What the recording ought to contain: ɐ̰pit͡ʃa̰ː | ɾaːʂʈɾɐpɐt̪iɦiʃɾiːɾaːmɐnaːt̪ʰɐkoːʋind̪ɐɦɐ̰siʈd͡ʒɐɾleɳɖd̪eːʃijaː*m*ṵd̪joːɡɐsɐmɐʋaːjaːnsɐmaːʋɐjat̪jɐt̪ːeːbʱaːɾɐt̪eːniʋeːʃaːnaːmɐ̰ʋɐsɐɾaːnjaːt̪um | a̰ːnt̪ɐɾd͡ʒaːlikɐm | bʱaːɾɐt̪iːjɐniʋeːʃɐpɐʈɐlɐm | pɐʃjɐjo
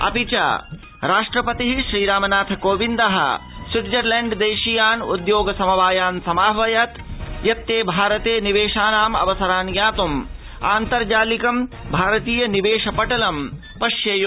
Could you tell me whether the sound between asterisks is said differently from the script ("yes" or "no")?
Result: yes